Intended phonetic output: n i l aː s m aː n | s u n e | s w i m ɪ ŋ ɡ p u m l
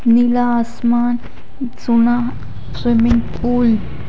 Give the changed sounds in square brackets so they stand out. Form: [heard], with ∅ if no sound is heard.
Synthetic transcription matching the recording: n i l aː s m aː n | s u n [a] | s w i m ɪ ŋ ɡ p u [∅] l